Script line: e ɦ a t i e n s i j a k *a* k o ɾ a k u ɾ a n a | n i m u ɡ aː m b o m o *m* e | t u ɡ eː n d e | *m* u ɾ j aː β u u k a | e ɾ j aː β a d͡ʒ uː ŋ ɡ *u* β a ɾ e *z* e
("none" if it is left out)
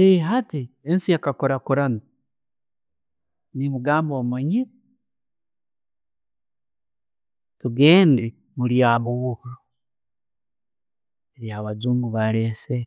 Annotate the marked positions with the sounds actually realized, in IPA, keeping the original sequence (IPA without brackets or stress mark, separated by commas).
a, ɲ, m, u, s